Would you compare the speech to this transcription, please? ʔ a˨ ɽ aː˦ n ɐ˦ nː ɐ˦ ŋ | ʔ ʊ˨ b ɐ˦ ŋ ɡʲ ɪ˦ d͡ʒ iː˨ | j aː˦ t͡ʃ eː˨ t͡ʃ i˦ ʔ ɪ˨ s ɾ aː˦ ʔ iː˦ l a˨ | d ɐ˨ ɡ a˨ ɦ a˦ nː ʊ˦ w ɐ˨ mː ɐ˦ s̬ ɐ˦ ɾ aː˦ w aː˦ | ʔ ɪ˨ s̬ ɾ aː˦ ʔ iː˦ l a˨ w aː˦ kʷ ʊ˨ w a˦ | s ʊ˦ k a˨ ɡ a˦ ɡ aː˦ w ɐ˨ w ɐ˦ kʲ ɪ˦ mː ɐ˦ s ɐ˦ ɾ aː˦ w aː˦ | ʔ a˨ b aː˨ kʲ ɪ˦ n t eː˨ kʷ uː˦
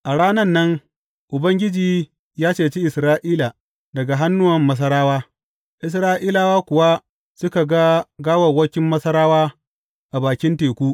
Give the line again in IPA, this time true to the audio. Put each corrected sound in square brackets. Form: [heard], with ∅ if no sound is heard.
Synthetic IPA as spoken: ʔ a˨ ɽ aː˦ n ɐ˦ nː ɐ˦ ŋ | ʔ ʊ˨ b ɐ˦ ŋ ɡʲ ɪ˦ d͡ʒ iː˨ | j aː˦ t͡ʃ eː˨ t͡ʃ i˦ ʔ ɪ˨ s ɾ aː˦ ʔ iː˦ l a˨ | d ɐ˨ ɡ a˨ ɦ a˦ nː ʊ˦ w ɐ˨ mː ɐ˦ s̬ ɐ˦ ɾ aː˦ w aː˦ | ʔ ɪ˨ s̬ ɾ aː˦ ʔ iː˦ l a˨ w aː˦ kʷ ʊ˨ w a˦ | s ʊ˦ k a˨ ɡ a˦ ɡ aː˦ w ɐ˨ w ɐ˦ kʲ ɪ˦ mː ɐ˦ s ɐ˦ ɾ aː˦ w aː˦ | ʔ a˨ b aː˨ kʲ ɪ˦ n t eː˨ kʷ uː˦